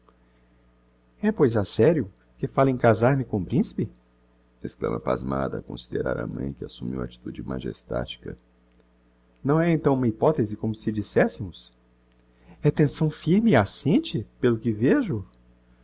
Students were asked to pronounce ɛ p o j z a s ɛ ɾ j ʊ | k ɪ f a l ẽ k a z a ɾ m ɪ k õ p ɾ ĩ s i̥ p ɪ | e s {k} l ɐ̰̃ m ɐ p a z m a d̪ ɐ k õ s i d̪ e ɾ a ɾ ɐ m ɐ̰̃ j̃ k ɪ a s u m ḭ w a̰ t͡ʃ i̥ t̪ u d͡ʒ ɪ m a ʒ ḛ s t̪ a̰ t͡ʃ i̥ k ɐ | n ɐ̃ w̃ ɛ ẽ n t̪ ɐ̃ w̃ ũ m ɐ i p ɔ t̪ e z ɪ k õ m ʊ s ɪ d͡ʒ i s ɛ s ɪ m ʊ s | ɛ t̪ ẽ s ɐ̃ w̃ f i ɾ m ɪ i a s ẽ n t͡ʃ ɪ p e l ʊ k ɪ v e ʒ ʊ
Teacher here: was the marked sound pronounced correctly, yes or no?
yes